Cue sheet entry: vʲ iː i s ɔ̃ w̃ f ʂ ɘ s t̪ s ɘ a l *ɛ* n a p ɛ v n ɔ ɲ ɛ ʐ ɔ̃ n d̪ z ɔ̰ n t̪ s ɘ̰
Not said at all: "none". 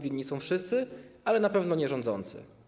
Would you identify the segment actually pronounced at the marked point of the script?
ɛ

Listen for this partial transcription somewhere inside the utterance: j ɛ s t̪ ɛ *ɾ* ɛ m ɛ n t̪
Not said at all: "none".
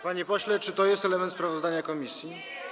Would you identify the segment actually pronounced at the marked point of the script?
l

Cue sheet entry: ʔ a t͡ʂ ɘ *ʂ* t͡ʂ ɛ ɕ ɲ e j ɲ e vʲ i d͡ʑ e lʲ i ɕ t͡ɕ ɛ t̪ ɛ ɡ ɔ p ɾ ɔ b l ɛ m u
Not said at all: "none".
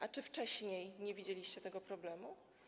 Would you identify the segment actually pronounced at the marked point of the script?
f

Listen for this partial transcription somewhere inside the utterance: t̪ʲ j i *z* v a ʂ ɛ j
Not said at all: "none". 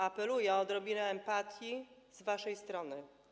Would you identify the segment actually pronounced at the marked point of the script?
z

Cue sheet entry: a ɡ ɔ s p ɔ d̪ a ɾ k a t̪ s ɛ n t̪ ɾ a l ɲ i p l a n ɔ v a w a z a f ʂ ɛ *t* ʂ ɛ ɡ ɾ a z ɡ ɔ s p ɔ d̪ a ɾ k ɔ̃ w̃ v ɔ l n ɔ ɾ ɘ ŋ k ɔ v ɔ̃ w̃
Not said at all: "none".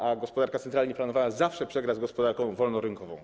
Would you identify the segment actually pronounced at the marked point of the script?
p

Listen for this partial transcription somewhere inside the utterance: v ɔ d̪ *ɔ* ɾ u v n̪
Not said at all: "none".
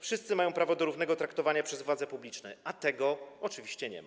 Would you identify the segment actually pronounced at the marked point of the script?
ɔ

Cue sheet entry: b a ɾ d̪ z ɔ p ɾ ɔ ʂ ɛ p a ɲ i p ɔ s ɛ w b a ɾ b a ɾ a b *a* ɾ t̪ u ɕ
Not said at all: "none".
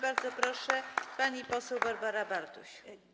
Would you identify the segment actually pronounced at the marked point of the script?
a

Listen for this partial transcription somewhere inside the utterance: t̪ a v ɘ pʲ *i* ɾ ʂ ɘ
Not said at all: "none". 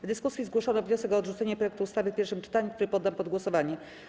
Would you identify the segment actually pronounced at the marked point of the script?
ɛ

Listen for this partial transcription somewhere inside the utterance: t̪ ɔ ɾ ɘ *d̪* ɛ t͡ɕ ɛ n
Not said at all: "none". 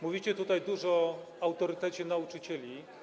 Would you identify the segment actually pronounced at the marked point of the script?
t̪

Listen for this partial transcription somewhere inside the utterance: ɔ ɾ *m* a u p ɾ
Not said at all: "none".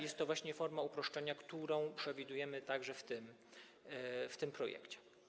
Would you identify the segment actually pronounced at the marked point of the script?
m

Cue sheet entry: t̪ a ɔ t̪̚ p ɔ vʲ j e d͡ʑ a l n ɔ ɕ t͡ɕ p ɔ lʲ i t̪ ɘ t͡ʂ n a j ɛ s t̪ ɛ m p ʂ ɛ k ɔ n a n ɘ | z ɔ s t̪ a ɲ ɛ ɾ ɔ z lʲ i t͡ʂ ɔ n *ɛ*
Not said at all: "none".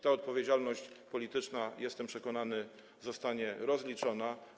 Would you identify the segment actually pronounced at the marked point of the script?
a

